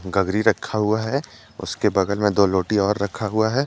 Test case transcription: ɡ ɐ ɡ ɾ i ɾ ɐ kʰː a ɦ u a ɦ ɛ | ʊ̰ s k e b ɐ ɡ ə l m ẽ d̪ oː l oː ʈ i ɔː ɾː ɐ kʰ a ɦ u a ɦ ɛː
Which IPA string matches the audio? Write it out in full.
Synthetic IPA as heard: ɡ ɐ ɡ ɾ i ɾ ɐ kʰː a ɦ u a ɦ ɛ | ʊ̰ s k e b ɐ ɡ ə l m ẽ d̪ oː l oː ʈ i ɔː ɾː ɐ kʰ a ɦ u a ɦ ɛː